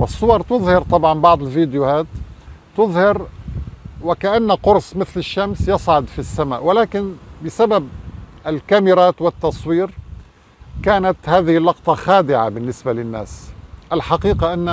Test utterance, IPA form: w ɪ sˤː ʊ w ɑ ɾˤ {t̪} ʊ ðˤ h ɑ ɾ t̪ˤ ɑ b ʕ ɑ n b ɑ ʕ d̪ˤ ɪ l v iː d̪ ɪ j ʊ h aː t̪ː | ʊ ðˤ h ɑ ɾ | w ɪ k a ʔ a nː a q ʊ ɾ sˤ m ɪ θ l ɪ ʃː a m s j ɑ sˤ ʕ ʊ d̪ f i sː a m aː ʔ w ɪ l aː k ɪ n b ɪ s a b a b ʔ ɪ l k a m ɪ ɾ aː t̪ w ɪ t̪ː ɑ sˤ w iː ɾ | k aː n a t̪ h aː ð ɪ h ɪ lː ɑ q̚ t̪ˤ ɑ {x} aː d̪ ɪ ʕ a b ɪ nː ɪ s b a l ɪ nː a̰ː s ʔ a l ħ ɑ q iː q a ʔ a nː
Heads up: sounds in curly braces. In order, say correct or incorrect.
correct, correct

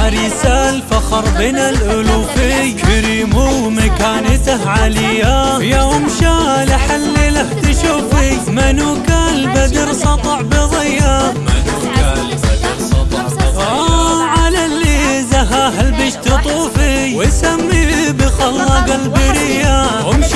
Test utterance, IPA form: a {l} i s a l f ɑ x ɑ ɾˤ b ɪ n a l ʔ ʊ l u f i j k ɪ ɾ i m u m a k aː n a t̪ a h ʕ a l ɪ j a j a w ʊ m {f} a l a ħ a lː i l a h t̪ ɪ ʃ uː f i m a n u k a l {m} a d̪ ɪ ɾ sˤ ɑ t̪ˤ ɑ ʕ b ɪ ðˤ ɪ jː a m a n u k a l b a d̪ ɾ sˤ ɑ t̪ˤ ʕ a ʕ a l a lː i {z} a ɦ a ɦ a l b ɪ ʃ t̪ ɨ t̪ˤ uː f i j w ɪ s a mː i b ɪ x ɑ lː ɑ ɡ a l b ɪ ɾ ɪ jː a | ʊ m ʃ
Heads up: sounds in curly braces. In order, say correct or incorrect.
incorrect: ɾ, incorrect: ʃ, incorrect: b, correct

